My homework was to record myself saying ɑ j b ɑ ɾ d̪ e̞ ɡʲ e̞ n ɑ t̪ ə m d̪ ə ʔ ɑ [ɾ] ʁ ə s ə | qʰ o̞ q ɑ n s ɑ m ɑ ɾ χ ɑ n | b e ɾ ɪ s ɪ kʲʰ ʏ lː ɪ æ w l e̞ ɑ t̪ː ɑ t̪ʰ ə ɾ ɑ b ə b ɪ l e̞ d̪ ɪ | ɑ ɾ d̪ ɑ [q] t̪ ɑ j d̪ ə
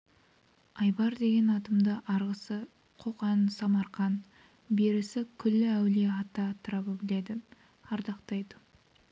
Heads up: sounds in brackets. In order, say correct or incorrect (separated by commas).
correct, correct